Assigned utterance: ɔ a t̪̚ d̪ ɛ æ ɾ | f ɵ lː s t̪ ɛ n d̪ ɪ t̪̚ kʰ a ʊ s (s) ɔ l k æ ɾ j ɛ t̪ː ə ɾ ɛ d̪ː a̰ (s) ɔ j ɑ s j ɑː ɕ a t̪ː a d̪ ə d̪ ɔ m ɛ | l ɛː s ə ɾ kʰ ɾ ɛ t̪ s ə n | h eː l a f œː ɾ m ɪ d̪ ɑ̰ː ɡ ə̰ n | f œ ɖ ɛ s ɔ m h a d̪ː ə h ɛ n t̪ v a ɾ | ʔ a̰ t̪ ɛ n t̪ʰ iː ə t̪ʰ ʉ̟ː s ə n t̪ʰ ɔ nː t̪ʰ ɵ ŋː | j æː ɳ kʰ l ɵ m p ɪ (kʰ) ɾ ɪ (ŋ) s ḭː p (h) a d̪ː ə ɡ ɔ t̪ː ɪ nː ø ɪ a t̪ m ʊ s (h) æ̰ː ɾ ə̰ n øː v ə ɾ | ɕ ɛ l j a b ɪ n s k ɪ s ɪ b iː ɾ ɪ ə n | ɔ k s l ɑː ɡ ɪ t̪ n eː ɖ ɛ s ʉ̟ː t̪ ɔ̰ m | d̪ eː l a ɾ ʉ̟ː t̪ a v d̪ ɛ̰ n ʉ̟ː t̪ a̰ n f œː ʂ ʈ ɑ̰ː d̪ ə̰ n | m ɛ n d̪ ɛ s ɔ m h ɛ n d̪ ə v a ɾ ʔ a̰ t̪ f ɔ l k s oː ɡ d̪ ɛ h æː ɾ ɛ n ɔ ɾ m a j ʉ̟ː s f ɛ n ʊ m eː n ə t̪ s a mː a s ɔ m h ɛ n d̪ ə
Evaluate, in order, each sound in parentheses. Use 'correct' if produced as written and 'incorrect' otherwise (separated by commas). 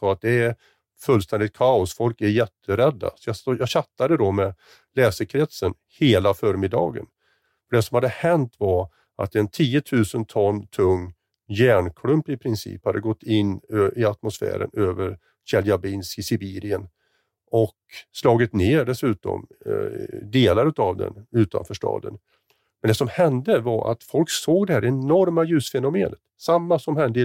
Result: incorrect, correct, incorrect, incorrect, correct, incorrect